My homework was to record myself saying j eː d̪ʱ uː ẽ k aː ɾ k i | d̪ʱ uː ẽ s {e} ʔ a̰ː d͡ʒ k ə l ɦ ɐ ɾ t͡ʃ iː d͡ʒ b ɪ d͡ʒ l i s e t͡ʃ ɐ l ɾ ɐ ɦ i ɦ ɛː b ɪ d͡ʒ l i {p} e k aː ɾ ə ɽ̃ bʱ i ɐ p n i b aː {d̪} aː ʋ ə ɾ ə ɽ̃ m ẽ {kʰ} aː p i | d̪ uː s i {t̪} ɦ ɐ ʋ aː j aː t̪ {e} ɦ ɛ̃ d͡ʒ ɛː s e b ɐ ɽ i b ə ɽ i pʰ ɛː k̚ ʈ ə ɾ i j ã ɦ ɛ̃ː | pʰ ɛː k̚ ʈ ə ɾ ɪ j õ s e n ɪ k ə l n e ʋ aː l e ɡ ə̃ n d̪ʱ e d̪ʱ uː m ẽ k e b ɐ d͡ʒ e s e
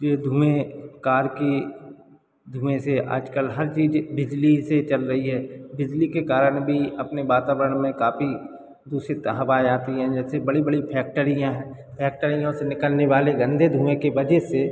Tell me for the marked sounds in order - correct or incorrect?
correct, incorrect: k, incorrect: t̪, incorrect: k, correct, incorrect: i

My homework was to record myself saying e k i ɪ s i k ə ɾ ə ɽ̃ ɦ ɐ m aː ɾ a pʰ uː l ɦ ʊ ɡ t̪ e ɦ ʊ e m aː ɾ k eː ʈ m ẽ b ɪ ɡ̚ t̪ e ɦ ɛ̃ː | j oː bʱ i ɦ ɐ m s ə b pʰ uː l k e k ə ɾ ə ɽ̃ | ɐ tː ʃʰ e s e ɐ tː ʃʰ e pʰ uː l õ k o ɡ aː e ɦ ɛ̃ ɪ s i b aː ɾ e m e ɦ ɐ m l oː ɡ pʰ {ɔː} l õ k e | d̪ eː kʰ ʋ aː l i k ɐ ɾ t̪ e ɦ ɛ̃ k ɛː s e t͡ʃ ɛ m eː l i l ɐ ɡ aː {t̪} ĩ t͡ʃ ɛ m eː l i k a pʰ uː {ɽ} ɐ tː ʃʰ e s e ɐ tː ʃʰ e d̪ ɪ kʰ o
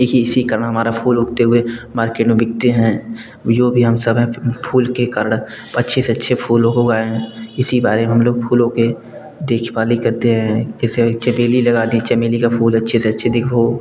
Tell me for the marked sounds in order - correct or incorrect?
incorrect: uː, incorrect: d̪, incorrect: l

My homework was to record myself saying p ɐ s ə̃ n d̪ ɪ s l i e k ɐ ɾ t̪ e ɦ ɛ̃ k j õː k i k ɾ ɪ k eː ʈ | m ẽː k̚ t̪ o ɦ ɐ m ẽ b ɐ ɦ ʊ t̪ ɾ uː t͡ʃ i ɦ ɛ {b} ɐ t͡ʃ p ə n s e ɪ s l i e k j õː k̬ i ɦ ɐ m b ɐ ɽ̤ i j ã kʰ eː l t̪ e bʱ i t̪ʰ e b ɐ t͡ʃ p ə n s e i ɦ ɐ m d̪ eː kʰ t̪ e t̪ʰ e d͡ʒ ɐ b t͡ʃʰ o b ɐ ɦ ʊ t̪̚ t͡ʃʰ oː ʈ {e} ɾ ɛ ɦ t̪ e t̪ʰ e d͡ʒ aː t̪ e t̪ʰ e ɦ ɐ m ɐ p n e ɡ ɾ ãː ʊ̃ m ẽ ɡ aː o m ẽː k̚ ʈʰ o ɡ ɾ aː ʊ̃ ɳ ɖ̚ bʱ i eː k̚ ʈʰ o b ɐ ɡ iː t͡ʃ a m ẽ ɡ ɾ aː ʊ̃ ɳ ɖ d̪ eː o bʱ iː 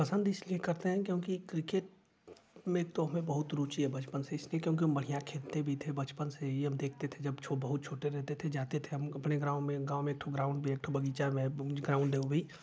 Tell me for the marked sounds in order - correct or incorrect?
correct, correct

